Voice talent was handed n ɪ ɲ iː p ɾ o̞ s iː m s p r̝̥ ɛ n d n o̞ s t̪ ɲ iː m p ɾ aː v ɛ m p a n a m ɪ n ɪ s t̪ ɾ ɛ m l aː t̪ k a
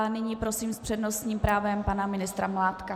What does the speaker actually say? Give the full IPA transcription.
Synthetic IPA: n ɪ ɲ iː p ɾ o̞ s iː m s p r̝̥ ɛ d n o̞ s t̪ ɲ iː m p ɾ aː v ɛ m p a n a m ɪ n ɪ s t̪ ɾ a m l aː t̪ k a